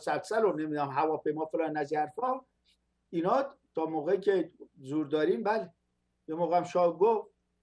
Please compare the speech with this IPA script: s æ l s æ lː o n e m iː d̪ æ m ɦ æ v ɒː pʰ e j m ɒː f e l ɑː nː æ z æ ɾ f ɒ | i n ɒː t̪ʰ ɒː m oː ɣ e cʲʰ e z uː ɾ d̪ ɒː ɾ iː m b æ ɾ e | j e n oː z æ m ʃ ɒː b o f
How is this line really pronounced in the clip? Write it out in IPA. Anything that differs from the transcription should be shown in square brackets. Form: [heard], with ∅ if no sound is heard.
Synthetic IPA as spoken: s æ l s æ [l] o n e m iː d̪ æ m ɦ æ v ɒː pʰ e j m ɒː f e l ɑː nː æ z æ ɾ f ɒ | i n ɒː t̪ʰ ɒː m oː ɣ e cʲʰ e z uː ɾ d̪ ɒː ɾ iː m b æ [l] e | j e [m] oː [ɣ] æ m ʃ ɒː [ɡ] o f